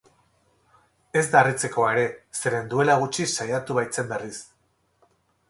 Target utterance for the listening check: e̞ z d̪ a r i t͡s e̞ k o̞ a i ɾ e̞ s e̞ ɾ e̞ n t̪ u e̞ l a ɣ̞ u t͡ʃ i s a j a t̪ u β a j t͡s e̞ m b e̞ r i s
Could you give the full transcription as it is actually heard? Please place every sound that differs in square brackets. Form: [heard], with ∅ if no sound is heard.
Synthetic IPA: e̞ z d̪ a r i t͡s e̞ k o̞ a [e] ɾ e̞ s e̞ ɾ e̞ n [d̪] u e̞ l a ɣ̞ u t͡ʃ i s a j a t̪ u β a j t͡s e̞ m b e̞ r i s